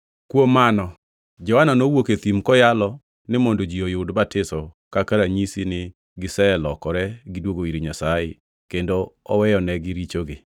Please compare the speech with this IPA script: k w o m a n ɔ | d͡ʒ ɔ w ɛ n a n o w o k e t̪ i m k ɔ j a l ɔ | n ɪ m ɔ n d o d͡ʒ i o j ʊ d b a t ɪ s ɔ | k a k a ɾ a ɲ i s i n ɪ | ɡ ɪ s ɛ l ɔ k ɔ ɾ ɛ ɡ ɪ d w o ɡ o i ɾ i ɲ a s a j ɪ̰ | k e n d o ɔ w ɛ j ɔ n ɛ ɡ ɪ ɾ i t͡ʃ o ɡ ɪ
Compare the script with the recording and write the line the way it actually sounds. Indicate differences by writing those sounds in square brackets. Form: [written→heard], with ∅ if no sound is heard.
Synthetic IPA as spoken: k w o m a n ɔ | d͡ʒ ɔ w [ɛ→a] n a n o w o k e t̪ i m k ɔ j a l ɔ | n ɪ m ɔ n d o d͡ʒ i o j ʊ d b a t ɪ s ɔ | k a k a ɾ a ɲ i s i n ɪ | ɡ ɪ s ɛ l ɔ k ɔ ɾ ɛ ɡ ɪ d w o ɡ o i ɾ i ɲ a s a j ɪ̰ | k e n d o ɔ w ɛ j ɔ n ɛ ɡ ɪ ɾ i t͡ʃ o ɡ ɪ